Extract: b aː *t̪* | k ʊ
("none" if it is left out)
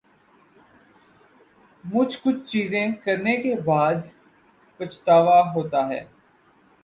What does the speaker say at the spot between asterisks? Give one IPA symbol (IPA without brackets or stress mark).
d̪